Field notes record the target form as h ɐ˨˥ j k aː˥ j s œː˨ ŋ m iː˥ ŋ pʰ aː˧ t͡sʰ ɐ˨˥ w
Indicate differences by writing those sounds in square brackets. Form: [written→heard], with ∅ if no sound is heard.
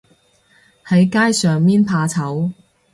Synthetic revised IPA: h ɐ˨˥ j k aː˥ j s œː˨ ŋ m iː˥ [ŋ→n] pʰ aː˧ t͡sʰ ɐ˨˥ w